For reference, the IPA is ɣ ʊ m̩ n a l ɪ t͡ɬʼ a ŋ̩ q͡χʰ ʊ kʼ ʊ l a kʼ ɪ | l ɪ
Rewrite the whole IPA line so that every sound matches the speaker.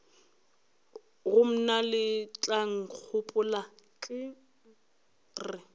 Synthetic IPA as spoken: ɣ ʊ m̩ n a l ɪ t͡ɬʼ a ŋ̩ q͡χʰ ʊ pʼ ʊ l a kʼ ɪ | r ɪ